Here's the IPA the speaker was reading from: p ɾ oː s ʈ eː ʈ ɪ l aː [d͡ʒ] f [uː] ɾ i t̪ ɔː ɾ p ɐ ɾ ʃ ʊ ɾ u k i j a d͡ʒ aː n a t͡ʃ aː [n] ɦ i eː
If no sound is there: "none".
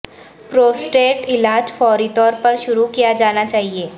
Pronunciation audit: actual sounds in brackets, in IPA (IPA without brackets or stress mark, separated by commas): d͡ʒ, ɔː, none